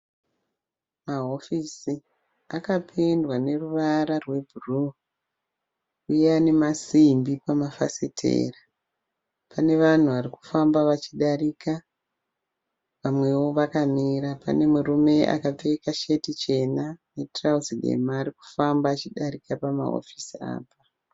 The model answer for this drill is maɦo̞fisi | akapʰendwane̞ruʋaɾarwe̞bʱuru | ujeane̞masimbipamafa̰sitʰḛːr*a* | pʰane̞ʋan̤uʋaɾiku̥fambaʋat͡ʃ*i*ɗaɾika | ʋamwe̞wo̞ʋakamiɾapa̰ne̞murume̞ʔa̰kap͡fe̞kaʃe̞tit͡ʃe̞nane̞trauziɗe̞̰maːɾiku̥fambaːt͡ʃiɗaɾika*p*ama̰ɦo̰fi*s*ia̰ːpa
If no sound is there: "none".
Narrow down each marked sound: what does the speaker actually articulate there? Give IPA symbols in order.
a, i, p, s

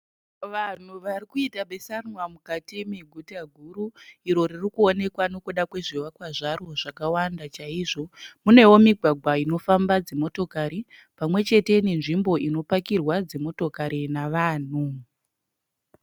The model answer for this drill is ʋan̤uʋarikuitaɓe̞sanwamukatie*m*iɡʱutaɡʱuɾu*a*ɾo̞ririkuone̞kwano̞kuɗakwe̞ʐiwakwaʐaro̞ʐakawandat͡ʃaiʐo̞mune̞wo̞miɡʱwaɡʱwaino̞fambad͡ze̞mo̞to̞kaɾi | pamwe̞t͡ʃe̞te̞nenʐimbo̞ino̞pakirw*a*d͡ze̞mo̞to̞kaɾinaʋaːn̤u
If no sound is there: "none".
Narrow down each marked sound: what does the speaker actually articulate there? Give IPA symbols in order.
m, i, a

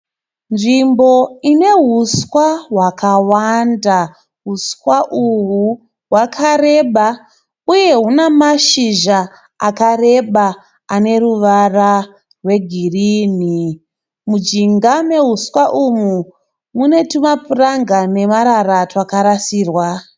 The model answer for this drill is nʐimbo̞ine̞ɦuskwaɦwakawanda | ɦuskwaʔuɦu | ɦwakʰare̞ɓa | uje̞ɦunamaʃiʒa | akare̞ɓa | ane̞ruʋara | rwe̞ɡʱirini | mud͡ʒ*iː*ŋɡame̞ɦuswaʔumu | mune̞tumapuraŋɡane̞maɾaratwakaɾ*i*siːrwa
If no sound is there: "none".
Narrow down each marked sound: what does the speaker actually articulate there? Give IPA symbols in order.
i, a

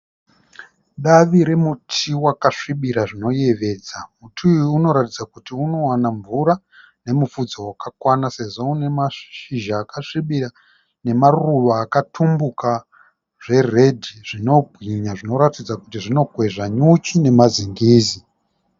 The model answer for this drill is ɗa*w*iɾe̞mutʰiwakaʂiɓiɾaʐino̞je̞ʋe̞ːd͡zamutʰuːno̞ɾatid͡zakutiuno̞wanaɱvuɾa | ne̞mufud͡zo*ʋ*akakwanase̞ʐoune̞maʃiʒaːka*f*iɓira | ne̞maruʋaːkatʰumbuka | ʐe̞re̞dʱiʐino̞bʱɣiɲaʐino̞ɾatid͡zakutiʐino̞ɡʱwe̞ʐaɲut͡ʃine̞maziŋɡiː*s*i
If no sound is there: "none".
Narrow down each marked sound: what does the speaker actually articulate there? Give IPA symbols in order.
ʋ, w, ʂ, z

